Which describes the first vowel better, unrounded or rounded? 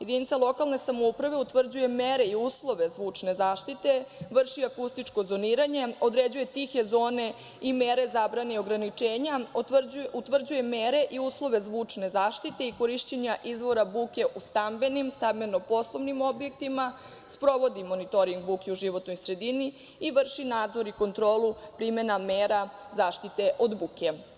unrounded